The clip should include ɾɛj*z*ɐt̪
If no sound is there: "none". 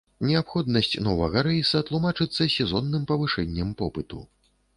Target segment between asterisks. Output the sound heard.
s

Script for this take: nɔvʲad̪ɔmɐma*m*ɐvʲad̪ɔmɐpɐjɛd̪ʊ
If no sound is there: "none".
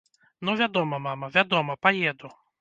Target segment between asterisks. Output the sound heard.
m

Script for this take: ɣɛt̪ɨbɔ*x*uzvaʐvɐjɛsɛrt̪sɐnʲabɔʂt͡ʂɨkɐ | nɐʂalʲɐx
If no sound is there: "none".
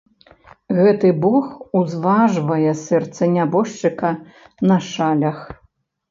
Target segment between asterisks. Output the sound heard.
x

